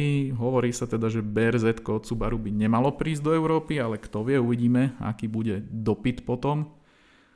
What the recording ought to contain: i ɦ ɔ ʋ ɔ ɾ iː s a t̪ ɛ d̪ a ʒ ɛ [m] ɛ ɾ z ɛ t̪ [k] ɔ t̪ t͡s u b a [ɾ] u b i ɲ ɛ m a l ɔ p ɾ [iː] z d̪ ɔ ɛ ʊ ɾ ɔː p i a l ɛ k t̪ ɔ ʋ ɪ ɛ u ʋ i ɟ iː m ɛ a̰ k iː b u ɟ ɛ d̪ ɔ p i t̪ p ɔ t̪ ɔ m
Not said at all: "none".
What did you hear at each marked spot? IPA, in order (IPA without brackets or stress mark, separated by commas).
b, k, ɾ, iː